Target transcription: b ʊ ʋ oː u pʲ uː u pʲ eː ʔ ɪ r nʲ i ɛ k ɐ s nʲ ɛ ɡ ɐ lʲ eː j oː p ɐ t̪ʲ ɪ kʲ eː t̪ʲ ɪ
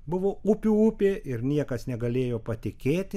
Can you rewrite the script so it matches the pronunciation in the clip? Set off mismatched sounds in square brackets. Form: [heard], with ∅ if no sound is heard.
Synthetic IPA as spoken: b ʊ ʋ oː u pʲ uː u pʲ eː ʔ ɪ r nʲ i ɛ k ɐ s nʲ ɛ ɡ ɐ lʲ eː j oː p ɐ t̪ʲ ɪ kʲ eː t̪ʲ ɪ